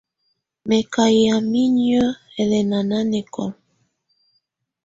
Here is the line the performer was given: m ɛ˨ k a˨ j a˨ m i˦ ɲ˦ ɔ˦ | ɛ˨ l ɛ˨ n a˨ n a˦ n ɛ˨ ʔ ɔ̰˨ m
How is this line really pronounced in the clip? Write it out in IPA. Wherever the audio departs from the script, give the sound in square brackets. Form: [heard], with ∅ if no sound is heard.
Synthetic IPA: m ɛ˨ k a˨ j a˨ m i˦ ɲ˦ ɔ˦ | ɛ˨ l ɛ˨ n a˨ n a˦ n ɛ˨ [k] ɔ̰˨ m